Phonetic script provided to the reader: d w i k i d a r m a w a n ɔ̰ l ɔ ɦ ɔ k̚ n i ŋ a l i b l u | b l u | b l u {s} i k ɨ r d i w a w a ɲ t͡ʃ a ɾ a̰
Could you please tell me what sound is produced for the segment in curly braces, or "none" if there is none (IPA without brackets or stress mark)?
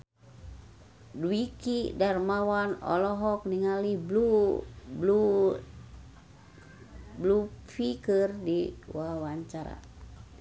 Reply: f